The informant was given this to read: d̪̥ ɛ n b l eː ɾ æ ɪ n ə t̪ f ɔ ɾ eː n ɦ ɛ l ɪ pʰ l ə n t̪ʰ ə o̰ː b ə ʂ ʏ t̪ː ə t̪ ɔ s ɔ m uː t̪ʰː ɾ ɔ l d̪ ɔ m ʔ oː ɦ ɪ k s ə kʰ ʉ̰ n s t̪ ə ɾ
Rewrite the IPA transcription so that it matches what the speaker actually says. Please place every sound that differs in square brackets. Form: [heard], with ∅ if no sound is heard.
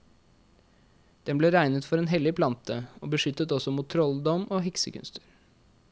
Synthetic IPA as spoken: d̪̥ ɛ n b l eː ɾ æ ɪ n ə t̪ f ɔ ɾ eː n ɦ ɛ l ɪ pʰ l [ɑ] n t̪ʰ ə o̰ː b ə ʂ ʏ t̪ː ə t̪ ɔ s ɔ m uː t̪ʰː ɾ ɔ l d̪ ɔ m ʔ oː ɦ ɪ k s ə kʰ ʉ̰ n s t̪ ə ɾ